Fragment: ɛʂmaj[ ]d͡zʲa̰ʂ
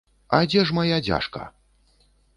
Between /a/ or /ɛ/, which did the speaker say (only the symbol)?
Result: a